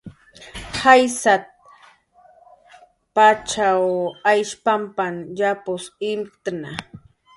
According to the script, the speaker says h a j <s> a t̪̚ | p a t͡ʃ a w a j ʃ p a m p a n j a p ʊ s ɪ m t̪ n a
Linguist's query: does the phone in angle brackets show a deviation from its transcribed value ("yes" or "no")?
no